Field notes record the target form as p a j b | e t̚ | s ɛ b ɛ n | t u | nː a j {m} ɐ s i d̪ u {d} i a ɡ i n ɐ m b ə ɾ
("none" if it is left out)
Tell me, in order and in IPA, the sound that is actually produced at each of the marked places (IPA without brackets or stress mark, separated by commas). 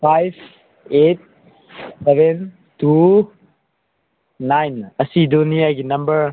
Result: n, n